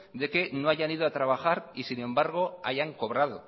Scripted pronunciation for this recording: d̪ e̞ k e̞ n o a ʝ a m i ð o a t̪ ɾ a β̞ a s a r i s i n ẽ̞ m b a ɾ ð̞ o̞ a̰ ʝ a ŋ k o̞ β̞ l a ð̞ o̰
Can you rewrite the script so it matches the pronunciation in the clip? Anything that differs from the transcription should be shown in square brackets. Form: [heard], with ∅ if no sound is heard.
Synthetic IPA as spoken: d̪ e̞ k e̞ n o a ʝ a [n] i ð o a t̪ ɾ a β̞ a [x] a [ɾ] i s i n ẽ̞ m b a ɾ [ɣ̞] o̞ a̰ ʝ a ŋ k o̞ β̞ [ɾ] a ð̞ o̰